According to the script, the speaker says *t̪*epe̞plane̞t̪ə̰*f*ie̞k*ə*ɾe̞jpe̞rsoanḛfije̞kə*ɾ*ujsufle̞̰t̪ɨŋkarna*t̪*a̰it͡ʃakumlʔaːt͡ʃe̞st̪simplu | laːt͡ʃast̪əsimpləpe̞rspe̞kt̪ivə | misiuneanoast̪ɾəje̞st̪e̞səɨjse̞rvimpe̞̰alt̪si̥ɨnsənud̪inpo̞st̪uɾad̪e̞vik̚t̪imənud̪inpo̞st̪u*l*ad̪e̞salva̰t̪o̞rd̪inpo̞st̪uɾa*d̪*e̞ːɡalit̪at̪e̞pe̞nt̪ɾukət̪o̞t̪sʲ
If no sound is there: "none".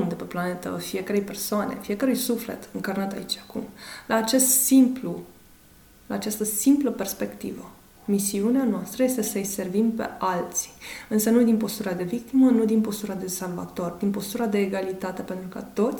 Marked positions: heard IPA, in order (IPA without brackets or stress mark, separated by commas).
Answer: d̪, f, ə, ɾ, t̪, ɾ, d̪